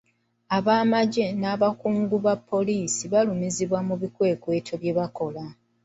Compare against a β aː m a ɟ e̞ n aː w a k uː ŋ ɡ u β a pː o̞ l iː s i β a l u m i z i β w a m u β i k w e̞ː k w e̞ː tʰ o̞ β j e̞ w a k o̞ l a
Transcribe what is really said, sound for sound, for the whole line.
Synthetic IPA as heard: a β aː m a ɟ e̞ n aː β a k uː ŋ ɡ u β a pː o̞ l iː s i β a l u m i z i β w a m u β i k w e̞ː k w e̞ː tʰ o̞ β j e̞ β a k o̞ l a